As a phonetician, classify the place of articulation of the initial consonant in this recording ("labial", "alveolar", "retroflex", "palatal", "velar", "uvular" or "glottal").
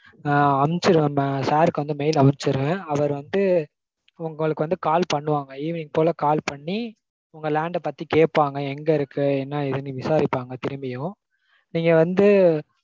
labial